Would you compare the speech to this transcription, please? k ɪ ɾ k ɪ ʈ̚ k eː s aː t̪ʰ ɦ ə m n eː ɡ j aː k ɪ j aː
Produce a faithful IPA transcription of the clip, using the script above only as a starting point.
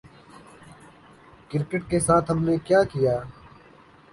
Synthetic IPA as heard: k ɪ ɾ k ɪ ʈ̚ k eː s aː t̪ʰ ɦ ə m n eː k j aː k ɪ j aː